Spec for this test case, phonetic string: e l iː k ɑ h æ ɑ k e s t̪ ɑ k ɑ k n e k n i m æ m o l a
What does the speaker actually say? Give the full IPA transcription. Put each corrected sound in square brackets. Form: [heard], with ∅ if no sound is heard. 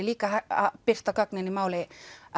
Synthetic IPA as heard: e l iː k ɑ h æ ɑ [p] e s t̪ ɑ k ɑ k n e [∅] n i m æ [∅] o l [e]